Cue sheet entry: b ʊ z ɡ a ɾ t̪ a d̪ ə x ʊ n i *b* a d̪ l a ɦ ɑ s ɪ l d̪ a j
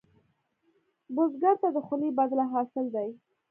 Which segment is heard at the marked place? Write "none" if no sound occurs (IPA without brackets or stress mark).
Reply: b